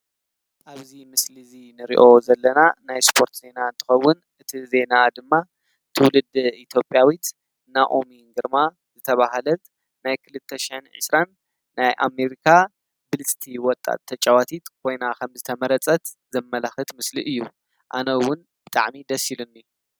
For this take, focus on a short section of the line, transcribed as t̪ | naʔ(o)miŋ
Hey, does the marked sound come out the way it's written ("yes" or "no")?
yes